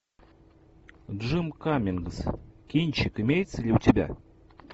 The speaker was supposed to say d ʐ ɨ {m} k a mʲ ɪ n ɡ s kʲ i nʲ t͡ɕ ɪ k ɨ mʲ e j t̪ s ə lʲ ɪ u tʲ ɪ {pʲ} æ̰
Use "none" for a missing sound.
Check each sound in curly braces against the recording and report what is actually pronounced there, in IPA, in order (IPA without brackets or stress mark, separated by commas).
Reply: m, bʲ